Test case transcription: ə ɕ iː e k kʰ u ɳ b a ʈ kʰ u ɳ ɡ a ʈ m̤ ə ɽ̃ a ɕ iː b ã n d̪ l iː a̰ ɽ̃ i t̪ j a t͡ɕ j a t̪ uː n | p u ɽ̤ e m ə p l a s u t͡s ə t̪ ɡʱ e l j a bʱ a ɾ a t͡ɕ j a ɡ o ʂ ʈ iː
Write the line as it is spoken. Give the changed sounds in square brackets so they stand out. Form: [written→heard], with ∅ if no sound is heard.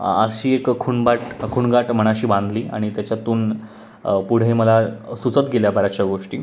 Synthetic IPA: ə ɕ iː e k kʰ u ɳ b a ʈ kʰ u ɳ ɡ a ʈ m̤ ə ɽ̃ a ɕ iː b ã n d̪ l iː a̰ ɽ̃ i t̪ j a t͡ɕ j a t̪ uː n | p u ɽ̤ e m ə [p→∅] l a s u t͡s ə t̪ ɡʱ e l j a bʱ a ɾ a t͡ɕ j a ɡ o ʂ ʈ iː